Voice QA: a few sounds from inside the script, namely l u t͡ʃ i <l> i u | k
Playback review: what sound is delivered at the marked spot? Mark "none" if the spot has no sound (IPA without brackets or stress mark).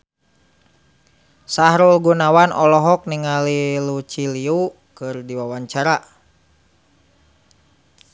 l